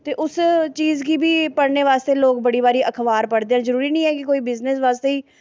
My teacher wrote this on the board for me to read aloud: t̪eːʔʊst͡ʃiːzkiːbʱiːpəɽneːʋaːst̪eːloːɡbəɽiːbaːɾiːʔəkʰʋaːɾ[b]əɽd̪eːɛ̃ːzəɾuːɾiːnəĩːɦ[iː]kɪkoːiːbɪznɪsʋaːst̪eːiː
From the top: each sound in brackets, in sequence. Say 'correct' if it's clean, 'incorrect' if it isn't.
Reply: incorrect: p, incorrect: ɛː

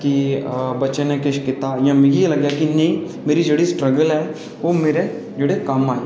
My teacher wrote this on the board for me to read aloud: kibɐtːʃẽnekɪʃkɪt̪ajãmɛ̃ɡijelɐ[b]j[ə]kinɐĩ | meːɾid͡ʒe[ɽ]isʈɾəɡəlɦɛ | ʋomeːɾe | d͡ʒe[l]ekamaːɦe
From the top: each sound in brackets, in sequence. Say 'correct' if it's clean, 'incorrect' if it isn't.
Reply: incorrect: ɡ, incorrect: a, correct, incorrect: ɽ

